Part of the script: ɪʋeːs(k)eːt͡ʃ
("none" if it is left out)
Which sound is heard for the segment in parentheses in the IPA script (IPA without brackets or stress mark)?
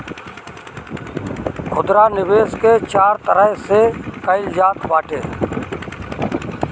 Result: k